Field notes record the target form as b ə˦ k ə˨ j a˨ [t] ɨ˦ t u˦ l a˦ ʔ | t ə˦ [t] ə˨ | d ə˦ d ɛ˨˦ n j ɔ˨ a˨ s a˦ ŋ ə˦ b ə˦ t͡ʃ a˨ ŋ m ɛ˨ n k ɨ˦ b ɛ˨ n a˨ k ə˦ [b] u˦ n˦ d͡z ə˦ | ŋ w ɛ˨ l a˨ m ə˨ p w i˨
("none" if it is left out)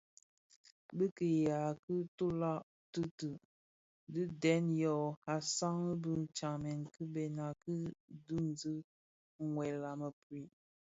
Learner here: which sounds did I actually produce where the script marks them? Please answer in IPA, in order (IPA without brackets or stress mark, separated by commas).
k, t, d